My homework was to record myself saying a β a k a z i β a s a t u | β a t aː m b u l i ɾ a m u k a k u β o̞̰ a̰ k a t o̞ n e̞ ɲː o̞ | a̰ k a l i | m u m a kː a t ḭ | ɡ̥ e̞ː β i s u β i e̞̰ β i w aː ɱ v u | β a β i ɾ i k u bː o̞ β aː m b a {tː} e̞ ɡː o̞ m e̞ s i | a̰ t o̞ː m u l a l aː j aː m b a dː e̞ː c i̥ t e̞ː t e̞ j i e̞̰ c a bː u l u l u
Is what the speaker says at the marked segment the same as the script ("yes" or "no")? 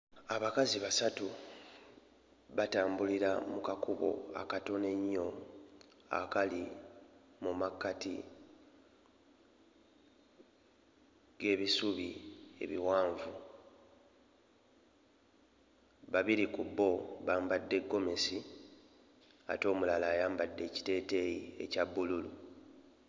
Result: no